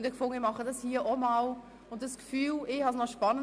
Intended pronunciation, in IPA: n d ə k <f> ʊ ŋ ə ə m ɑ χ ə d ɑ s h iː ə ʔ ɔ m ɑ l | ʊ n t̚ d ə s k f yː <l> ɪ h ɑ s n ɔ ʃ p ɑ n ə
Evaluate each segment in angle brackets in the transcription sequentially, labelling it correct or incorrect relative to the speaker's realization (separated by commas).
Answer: correct, correct